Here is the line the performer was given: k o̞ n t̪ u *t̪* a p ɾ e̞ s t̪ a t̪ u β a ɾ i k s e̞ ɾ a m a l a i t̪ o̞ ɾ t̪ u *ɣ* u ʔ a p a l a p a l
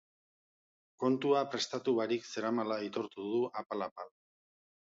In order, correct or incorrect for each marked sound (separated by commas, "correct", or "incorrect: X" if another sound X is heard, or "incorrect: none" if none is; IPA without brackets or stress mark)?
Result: incorrect: none, incorrect: ð